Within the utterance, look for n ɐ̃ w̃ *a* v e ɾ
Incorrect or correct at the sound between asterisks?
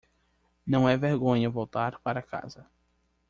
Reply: incorrect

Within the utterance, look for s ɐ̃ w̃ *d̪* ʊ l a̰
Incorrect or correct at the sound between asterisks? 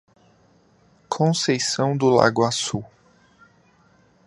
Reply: correct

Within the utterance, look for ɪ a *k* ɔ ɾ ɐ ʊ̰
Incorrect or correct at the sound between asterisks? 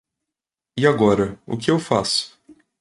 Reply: incorrect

